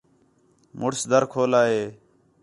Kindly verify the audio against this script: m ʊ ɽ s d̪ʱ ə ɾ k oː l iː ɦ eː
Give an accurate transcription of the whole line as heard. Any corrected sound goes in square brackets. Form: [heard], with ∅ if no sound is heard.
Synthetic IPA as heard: m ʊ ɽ s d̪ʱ ə ɾ [kʰ] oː l [aː] ɦ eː